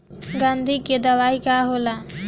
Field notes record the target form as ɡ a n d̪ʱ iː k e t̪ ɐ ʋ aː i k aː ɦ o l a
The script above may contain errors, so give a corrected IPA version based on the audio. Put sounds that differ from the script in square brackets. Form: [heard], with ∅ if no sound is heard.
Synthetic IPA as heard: ɡ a n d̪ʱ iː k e [d̪] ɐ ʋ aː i k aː ɦ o l a